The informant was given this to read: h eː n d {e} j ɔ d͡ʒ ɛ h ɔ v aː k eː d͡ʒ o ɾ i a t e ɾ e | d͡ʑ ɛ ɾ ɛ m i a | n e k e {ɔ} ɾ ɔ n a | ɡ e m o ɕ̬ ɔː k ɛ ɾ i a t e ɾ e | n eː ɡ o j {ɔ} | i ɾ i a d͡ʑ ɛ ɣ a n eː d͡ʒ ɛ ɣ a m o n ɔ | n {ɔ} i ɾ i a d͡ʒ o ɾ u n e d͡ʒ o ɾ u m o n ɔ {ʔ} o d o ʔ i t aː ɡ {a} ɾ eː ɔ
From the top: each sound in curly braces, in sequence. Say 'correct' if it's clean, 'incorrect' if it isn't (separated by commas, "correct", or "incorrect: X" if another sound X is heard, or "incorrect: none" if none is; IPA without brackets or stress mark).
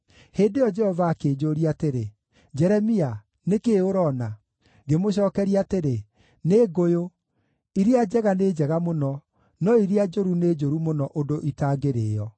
correct, incorrect: o, incorrect: o, correct, correct, incorrect: e